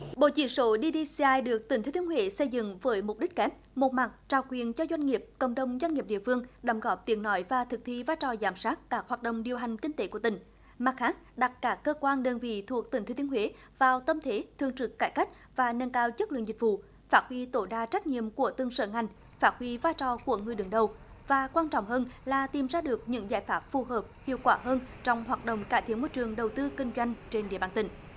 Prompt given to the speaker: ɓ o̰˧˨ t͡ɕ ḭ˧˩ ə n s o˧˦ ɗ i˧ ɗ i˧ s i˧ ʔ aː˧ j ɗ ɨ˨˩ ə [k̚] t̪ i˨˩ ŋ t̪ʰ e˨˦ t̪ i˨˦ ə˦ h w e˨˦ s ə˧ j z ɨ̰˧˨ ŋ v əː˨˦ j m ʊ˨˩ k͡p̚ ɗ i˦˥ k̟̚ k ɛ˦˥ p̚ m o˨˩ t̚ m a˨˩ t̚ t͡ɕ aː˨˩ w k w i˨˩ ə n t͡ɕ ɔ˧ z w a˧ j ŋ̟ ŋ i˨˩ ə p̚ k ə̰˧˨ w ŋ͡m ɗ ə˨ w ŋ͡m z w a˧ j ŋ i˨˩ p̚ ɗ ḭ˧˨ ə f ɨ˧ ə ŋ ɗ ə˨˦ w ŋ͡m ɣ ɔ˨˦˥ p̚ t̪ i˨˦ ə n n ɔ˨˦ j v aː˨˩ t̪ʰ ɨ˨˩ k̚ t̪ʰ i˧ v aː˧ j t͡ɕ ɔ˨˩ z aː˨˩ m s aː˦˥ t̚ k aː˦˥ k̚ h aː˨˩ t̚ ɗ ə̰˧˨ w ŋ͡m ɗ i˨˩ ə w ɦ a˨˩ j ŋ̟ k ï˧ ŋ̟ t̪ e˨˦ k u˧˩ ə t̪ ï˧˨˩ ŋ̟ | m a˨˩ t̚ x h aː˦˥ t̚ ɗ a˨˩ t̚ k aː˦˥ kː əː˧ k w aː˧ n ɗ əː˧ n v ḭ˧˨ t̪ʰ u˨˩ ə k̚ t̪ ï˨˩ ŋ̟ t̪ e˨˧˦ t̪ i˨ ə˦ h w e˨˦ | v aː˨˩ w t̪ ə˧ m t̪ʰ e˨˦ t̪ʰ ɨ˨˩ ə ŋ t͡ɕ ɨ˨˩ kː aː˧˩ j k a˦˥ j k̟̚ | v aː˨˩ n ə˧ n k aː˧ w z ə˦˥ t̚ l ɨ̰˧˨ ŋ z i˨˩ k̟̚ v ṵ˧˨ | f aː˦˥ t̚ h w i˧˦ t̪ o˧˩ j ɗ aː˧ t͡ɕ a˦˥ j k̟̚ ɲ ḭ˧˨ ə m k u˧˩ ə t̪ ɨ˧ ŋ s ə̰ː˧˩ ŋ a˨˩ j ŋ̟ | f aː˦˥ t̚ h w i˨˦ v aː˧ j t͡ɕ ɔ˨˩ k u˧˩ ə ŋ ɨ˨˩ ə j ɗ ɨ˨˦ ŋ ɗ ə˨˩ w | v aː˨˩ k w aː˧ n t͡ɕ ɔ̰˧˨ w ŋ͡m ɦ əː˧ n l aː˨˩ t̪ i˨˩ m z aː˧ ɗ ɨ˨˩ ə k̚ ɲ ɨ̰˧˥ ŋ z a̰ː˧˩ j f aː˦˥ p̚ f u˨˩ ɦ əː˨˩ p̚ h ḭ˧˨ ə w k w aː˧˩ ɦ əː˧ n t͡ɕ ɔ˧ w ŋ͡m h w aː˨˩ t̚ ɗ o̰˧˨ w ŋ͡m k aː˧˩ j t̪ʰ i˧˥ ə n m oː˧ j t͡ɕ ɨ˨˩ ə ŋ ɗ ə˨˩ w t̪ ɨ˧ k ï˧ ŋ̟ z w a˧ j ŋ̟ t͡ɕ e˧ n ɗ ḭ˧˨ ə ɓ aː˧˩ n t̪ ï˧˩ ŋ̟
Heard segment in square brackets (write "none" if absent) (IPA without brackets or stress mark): k̚